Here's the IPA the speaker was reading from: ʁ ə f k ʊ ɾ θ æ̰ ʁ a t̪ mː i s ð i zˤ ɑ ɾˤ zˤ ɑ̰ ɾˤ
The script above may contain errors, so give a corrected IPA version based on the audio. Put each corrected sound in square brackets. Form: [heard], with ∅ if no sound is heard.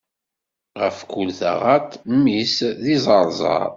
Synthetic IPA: ʁ ə f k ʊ [l] θ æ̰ ʁ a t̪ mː i s ð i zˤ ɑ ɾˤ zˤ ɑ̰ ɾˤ